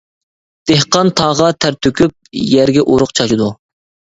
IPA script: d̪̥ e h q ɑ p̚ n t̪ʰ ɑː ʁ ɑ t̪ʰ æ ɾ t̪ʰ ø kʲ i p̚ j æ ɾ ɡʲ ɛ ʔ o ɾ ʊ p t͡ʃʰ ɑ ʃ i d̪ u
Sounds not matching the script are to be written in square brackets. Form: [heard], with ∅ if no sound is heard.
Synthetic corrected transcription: d̪̥ e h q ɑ [∅] n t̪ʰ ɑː ʁ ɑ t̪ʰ æ ɾ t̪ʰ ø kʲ [y] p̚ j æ ɾ ɡʲ ɛ ʔ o ɾ ʊ [q] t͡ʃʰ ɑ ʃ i d̪ u